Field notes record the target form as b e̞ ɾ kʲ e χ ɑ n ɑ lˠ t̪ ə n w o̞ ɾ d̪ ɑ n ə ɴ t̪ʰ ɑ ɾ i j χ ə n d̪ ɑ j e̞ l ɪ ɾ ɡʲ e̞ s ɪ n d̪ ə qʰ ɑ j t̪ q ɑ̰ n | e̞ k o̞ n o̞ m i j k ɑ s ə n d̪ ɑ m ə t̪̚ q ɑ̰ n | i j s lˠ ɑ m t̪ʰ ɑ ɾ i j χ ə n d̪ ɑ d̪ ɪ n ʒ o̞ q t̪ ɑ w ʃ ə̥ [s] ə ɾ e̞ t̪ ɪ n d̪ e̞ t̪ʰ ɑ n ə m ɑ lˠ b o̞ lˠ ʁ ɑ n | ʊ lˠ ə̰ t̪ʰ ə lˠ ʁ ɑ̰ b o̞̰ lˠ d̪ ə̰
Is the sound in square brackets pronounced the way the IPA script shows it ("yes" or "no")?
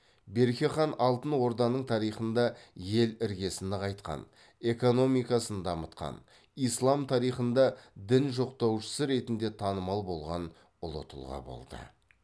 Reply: yes